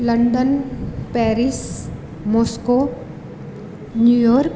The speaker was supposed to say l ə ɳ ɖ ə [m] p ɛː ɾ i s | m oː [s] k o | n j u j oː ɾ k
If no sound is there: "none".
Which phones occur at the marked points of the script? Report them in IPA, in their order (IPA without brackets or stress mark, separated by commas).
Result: n, s